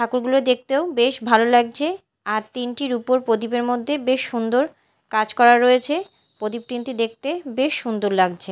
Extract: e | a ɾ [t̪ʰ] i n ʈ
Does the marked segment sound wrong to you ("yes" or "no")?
yes